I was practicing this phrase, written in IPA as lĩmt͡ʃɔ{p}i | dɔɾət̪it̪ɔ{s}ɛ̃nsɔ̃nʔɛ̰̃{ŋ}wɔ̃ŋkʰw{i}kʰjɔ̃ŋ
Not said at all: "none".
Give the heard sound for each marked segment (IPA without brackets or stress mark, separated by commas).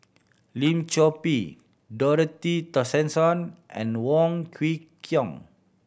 p, s, n, i